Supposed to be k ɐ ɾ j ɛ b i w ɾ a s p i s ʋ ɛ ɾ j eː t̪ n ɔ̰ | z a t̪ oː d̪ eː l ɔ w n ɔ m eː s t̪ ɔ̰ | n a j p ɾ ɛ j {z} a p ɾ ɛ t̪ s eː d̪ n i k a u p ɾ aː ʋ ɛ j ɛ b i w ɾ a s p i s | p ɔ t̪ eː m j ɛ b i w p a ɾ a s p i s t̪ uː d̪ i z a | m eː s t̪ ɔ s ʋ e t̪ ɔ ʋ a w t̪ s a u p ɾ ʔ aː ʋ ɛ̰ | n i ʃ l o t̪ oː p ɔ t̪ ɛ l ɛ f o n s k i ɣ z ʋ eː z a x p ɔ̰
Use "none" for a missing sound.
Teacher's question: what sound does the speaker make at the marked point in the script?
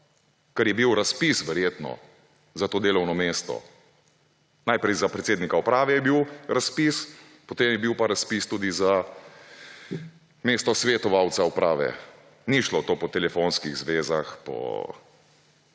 z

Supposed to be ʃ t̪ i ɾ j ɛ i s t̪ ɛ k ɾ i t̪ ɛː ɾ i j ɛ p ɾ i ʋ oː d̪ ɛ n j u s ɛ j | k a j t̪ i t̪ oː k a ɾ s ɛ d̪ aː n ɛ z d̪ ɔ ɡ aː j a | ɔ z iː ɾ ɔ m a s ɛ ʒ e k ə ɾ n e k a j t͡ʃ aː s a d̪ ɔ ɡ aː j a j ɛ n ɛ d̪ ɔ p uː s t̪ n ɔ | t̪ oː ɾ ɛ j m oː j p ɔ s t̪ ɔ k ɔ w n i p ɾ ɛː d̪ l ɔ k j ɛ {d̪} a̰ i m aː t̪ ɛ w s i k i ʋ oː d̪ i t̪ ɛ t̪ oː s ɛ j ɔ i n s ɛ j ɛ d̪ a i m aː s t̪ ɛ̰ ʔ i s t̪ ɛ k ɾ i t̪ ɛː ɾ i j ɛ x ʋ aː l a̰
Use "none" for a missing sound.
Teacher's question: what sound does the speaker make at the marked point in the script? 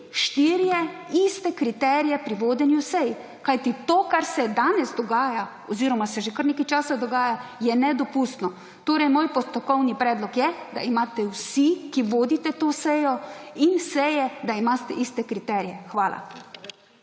d̪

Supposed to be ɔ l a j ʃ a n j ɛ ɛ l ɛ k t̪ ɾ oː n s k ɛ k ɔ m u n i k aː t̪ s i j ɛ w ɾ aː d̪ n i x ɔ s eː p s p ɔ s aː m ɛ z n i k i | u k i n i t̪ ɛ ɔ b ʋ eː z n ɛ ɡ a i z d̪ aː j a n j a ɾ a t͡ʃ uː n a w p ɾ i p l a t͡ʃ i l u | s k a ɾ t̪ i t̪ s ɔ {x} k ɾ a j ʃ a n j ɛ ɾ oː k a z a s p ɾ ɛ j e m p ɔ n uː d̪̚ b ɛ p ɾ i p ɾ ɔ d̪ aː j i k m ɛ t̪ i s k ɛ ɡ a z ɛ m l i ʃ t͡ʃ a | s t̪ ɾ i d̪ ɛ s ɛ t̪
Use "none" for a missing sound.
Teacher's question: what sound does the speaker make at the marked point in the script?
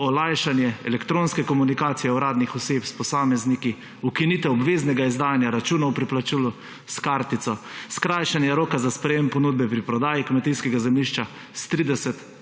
s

